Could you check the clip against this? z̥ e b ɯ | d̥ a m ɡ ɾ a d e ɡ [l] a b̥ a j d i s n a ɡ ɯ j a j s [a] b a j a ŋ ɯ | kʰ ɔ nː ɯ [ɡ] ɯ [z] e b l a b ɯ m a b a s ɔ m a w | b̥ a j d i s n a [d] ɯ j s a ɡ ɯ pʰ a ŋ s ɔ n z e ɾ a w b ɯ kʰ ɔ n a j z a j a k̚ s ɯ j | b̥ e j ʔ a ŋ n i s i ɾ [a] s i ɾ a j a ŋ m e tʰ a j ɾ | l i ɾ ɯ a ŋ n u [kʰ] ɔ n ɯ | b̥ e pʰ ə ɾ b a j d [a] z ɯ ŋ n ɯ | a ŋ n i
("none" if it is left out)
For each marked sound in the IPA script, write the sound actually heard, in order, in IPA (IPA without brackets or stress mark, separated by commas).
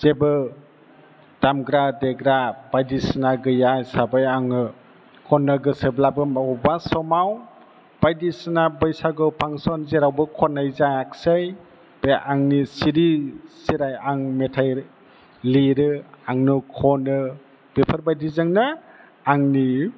ɾ, a, ɡ, s, b, i, kʰ, i